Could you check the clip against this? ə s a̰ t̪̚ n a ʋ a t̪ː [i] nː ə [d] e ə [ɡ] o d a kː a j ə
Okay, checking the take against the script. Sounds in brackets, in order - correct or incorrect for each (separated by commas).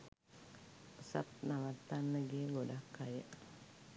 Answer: incorrect, incorrect, correct